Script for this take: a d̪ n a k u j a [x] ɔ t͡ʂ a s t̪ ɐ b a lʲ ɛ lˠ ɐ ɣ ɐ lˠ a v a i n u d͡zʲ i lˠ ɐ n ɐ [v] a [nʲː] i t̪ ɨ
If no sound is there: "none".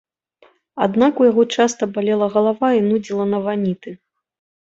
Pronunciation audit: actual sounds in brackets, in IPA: ɣ, v, nʲ

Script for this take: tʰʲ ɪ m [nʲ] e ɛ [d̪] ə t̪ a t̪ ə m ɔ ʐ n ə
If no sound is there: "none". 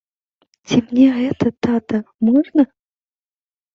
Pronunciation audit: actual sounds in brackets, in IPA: nʲ, t̪

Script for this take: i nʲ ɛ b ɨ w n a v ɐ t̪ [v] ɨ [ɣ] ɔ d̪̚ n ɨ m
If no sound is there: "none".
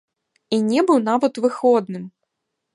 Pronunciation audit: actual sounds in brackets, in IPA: v, x

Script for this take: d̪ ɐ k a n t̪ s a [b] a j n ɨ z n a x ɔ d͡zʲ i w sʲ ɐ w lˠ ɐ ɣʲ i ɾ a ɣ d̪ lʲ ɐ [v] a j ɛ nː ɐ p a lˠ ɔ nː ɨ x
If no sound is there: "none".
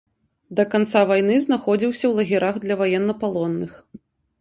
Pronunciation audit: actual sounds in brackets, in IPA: v, v

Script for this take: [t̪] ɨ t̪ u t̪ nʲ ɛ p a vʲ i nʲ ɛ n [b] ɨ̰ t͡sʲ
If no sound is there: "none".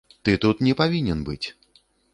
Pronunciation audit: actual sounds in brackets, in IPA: t̪, b

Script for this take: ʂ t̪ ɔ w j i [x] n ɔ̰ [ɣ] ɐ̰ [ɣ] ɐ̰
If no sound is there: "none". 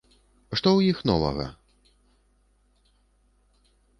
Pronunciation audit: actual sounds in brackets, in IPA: x, v, ɣ

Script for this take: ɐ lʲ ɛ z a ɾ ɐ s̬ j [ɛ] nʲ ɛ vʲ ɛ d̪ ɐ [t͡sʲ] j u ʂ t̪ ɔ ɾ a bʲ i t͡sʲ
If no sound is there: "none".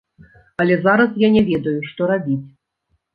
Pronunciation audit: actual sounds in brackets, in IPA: a, none

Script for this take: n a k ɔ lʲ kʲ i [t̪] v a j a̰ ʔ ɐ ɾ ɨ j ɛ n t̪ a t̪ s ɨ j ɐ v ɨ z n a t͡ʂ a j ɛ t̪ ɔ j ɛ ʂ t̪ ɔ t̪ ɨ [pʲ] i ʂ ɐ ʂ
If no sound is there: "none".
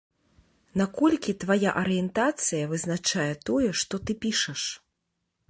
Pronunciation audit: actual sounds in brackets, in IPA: t̪, pʲ

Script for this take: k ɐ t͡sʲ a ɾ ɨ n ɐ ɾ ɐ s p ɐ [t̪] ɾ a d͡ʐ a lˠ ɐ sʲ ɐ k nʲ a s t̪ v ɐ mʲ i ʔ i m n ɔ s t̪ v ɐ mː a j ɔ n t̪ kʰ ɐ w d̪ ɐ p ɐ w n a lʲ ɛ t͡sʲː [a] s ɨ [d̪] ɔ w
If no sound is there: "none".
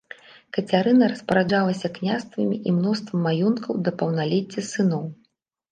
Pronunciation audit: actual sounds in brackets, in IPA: none, ɐ, n̪

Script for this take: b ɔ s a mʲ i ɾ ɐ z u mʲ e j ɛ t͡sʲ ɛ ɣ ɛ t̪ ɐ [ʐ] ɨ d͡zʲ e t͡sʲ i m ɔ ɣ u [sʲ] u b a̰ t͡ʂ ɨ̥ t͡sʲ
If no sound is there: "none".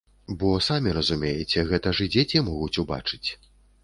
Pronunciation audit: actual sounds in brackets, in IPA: ʐ, t͡sʲ

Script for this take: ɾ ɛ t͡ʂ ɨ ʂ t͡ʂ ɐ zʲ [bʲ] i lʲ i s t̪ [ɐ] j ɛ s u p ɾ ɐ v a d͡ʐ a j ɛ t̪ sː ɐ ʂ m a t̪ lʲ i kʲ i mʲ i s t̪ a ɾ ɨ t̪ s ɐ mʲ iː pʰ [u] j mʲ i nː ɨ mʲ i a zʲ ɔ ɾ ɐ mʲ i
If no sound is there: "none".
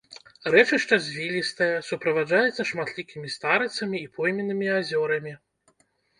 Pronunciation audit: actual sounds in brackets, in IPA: vʲ, ɐ, ɔ

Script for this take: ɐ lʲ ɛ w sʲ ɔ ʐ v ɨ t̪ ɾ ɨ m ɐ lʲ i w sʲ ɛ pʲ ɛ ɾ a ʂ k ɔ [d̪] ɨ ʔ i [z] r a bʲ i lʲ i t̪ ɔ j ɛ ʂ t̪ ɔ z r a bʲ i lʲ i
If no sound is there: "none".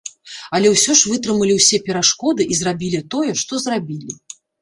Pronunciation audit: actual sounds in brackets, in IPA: d̪, z

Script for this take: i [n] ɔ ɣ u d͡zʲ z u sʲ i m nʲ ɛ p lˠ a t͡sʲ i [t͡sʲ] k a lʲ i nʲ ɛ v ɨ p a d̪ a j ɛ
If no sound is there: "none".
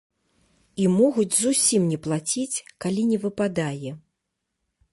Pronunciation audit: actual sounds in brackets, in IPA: m, t͡sʲ

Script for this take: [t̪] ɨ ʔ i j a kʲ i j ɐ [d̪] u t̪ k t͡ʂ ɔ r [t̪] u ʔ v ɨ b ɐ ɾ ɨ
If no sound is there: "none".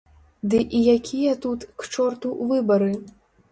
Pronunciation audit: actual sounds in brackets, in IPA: d̪, t̪, t̪

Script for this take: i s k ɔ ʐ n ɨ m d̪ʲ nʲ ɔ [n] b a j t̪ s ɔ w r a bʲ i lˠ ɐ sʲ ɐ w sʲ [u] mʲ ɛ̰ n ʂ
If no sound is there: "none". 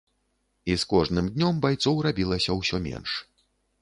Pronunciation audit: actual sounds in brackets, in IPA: m, ɔ

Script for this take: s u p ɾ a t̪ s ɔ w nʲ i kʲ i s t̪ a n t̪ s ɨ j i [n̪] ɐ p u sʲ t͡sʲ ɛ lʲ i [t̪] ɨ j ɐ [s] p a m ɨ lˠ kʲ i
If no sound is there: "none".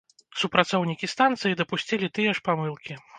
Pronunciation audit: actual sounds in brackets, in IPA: d̪, t̪, ʂ

